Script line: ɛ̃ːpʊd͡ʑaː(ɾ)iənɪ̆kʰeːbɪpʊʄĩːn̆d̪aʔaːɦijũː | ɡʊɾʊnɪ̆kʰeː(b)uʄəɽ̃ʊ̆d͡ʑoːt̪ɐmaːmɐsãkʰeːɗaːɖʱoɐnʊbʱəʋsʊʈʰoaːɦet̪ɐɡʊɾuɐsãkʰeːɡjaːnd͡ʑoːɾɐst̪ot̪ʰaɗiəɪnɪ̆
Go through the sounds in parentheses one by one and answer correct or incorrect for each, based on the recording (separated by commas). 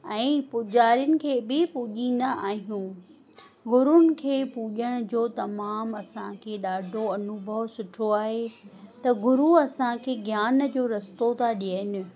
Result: correct, incorrect